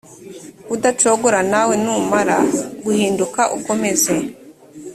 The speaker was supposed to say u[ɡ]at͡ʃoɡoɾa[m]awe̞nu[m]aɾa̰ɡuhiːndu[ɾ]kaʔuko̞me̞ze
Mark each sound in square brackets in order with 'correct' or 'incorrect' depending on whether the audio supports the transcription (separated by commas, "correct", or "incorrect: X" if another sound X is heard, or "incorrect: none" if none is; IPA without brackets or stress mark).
incorrect: d, incorrect: n, correct, incorrect: none